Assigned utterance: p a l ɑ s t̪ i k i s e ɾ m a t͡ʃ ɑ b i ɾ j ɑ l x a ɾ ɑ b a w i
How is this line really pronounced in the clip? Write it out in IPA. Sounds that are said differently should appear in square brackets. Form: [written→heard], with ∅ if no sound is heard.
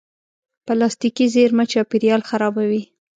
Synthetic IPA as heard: p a l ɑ s t̪ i k i [s→z] e ɾ m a t͡ʃ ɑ [b→p] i ɾ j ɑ l x a ɾ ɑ b a w i